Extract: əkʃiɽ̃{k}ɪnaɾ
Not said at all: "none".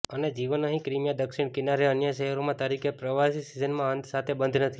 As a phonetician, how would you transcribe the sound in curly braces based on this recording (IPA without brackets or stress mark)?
k